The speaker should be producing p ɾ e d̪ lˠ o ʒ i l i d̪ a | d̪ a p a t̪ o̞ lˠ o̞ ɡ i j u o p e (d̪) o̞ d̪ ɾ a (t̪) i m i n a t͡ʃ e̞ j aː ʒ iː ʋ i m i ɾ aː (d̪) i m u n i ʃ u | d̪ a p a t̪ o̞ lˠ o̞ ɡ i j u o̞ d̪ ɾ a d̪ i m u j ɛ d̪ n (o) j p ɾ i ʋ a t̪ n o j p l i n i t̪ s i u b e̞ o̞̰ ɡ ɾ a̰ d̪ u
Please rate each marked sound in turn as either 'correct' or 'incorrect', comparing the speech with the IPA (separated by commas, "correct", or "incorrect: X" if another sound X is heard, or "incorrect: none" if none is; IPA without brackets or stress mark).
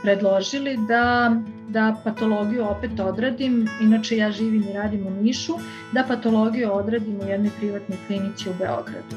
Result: incorrect: t̪, incorrect: d̪, correct, correct